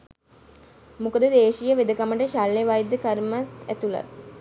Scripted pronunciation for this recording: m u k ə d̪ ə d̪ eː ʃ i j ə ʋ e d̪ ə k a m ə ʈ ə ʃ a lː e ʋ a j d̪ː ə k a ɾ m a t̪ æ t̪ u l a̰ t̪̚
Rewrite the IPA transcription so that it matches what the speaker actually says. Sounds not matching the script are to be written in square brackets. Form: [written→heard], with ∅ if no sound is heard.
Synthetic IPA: m u k ə d̪ ə d̪ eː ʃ i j ə ʋ e d̪ ə k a m ə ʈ ə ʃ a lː e ʋ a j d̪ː ə k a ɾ m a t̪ æ t̪ u l a̰ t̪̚